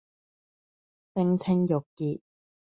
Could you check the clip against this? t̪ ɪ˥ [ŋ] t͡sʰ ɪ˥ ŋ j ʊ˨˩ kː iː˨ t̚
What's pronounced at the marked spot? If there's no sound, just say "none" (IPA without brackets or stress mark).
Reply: ŋ